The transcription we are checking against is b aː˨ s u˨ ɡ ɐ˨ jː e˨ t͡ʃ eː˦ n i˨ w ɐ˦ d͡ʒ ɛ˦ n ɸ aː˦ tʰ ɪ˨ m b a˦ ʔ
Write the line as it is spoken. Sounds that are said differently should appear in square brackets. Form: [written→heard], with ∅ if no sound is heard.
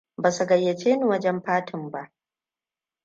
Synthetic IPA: b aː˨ s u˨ ɡ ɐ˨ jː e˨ t͡ʃ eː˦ n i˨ w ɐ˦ d͡ʒ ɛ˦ [n→m] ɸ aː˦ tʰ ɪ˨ m b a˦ ʔ